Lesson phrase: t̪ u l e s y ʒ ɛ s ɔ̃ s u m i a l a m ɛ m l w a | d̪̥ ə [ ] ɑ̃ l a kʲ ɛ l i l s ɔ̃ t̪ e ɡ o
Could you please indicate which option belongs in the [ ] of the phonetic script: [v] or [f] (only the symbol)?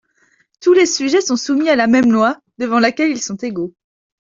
v